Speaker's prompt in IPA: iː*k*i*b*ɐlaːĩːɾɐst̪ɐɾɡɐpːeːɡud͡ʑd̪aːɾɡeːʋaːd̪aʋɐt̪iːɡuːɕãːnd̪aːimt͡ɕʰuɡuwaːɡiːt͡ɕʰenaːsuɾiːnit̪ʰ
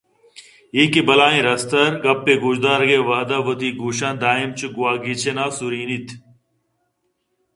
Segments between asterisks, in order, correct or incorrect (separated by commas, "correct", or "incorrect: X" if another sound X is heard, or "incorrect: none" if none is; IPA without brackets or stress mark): correct, correct